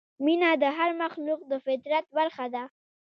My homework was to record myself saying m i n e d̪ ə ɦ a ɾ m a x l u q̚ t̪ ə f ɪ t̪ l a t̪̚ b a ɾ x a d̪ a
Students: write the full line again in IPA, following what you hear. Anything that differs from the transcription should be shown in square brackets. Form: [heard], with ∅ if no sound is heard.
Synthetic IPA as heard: m i n [a] d̪ ə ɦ a ɾ m a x l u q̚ [d̪] ə f ɪ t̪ [ɾ] a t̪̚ b a ɾ x a d̪ a